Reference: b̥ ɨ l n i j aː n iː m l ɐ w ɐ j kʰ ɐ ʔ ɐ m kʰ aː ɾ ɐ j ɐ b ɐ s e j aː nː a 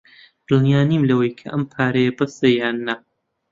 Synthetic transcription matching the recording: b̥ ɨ l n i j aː n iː m l ɐ w ɐ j kʰ ɐ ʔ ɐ m pʰ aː ɾ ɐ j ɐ b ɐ s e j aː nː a